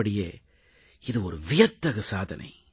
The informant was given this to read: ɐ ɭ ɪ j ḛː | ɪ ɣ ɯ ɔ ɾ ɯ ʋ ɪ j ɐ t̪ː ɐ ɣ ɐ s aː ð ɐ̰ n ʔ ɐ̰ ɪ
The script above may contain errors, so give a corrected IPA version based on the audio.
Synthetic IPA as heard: ɐ ɽ ɪ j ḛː | ɪ ð ɯ ɔ ɾ ɯ ʋ ɪ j ɐ t̪ː ɐ ɣ ɐ s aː ð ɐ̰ n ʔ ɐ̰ ɪ